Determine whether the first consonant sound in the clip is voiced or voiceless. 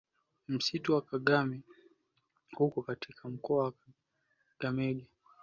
voiced